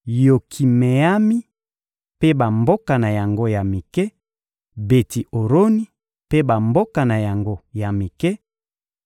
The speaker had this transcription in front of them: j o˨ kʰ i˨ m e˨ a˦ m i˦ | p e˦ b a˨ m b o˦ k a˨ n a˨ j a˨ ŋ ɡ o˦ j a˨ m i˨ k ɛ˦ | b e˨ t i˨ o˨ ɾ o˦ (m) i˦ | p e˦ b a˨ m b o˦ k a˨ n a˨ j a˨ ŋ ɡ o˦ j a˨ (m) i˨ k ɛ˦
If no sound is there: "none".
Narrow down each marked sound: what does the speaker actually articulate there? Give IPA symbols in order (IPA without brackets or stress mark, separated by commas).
n, m